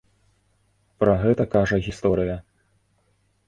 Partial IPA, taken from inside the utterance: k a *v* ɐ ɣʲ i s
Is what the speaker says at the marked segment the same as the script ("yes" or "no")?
no